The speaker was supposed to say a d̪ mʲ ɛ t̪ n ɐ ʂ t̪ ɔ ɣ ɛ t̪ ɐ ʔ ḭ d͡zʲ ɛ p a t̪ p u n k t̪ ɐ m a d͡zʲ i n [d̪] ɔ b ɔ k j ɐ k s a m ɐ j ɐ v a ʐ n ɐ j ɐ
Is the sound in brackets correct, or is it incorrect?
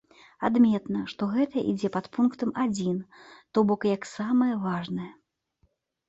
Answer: incorrect